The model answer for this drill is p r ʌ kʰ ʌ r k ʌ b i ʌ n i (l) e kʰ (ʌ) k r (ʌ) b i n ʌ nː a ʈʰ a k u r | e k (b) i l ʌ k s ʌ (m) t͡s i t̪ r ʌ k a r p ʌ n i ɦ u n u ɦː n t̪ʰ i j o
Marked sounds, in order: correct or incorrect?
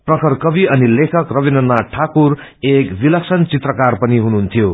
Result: correct, correct, correct, correct, incorrect: n

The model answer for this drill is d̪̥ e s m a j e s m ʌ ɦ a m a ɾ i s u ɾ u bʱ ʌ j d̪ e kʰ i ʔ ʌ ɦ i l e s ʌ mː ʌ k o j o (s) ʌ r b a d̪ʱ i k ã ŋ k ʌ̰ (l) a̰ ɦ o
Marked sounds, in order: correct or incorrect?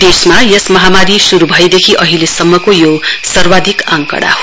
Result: correct, incorrect: ɽ

